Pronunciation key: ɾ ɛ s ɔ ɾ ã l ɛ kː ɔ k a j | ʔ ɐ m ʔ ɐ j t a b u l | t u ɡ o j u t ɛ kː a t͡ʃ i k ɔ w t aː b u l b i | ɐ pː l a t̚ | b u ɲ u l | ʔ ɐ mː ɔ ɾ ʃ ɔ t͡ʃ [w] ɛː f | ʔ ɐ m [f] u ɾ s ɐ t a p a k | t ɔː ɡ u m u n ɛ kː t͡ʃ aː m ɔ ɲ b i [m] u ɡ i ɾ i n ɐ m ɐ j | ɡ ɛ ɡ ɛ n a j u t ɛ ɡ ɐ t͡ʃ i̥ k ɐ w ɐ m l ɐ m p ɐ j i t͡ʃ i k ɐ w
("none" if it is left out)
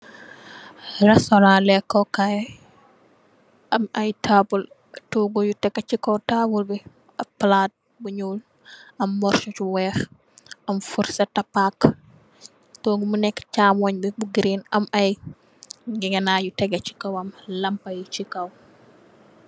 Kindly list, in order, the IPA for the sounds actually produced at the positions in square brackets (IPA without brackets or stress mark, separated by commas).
w, f, b